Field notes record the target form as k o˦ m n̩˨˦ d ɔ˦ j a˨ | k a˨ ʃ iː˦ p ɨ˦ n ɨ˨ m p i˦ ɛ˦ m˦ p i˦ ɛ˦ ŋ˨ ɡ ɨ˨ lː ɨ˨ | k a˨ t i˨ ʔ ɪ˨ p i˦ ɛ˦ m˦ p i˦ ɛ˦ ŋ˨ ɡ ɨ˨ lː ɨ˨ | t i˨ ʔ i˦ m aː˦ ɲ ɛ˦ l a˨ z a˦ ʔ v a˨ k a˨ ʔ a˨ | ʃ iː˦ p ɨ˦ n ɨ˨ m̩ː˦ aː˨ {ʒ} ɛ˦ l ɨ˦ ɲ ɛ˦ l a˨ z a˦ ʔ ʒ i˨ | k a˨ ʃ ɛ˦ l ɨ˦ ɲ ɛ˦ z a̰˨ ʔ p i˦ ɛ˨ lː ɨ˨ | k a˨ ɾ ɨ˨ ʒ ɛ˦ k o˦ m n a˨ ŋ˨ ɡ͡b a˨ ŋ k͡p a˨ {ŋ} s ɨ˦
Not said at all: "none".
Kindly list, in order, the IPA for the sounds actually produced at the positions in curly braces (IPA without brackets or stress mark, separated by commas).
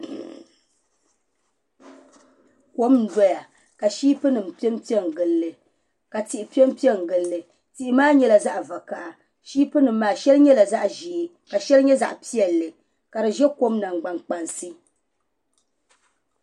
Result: ʃ, n